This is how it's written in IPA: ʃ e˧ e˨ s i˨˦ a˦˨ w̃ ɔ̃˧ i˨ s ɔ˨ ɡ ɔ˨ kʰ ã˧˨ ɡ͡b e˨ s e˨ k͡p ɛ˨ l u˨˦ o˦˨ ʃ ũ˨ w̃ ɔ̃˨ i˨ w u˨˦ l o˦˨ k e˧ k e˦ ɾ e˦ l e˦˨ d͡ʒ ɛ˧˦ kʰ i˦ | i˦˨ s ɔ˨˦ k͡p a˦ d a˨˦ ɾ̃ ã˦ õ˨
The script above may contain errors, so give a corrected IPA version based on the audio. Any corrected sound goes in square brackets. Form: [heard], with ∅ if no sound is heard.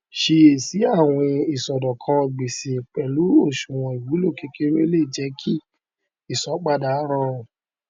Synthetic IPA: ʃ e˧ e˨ s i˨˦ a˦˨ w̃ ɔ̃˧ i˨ s ɔ˨ [d] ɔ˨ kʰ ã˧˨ ɡ͡b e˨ s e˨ k͡p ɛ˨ l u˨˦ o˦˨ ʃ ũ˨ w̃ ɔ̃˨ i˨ w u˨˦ l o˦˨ k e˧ k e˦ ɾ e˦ l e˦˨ d͡ʒ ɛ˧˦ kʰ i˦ | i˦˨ s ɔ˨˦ k͡p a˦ d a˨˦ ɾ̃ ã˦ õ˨